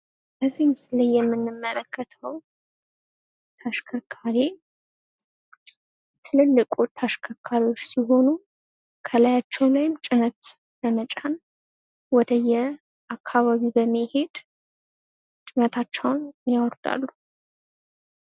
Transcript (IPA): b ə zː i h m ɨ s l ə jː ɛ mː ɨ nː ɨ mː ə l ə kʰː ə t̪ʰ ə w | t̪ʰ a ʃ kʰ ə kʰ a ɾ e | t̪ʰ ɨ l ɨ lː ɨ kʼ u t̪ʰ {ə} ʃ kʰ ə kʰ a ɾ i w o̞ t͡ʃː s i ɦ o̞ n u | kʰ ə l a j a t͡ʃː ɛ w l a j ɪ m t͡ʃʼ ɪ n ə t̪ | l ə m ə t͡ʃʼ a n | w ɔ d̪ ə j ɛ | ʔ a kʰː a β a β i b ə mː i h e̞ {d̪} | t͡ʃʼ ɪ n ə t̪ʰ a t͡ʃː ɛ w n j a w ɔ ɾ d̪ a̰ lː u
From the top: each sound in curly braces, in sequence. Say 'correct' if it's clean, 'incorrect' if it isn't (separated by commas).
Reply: incorrect, correct